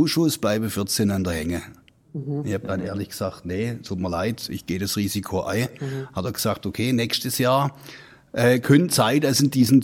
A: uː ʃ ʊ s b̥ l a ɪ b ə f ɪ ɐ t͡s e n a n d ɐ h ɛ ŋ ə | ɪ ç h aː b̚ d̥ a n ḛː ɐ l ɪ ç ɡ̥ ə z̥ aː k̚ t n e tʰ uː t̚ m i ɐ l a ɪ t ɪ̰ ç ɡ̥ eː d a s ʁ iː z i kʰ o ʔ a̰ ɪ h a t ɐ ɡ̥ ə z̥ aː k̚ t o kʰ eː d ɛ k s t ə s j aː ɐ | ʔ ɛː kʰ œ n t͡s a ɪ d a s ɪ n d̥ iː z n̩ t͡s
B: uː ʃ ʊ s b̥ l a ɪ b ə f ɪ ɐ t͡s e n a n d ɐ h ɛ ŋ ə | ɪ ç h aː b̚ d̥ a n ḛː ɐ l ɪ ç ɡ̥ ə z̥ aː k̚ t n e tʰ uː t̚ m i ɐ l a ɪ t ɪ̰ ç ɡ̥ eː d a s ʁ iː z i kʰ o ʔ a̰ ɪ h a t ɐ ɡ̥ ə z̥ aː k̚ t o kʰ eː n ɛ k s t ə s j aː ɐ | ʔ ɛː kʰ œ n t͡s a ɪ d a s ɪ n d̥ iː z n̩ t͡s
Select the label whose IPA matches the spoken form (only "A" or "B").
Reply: B